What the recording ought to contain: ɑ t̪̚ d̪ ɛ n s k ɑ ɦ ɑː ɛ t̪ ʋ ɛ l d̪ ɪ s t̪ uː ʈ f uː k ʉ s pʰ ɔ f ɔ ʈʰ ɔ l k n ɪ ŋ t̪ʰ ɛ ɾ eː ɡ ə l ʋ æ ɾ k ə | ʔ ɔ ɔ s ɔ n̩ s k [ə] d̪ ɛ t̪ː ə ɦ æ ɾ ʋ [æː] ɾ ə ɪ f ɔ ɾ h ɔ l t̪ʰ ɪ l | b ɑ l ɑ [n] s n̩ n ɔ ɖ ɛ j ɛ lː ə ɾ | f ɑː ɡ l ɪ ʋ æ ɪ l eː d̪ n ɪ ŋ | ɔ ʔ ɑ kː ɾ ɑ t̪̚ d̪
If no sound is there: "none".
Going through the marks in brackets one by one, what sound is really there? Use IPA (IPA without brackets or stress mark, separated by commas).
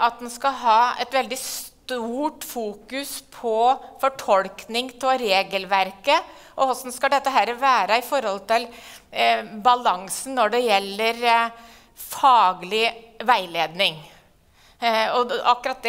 ɑ, æː, ŋ